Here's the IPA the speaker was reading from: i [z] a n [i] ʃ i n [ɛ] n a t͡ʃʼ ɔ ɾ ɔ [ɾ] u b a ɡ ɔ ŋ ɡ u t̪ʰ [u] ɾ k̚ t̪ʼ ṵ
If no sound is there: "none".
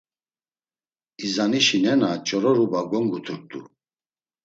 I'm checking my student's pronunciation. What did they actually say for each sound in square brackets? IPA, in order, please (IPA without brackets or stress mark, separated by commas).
z, i, ɛ, ɾ, u